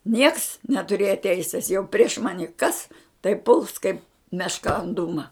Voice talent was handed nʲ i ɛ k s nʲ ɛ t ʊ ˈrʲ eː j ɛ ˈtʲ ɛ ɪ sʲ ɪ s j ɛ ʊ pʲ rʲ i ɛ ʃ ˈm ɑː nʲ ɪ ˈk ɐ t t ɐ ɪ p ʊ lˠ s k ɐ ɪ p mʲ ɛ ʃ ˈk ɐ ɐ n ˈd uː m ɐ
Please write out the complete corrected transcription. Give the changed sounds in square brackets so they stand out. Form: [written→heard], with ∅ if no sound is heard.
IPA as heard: nʲ i ɛ k s nʲ ɛ t ʊ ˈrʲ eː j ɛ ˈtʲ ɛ ɪ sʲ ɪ s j ɛ ʊ pʲ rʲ i ɛ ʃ ˈm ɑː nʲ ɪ ˈk ɐ [t→s] t ɐ ɪ p ʊ lˠ s k ɐ ɪ p mʲ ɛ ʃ ˈk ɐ ɐ n ˈd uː m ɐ